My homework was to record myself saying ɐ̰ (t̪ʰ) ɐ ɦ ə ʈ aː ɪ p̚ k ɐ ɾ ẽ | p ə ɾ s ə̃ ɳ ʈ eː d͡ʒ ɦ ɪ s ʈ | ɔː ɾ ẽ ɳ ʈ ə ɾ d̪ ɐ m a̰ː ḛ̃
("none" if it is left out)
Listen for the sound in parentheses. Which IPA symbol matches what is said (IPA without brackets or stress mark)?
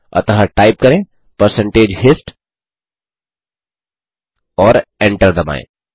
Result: t̪